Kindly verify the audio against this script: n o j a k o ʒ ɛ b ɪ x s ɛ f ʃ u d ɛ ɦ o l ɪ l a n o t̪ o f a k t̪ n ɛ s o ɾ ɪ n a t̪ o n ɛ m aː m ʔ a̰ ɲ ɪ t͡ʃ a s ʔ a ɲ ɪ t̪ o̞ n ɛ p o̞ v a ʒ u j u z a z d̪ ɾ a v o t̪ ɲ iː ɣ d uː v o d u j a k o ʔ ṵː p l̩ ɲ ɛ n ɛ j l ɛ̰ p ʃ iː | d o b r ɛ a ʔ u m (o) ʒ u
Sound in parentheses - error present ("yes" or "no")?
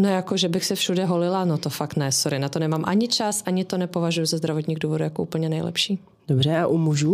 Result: yes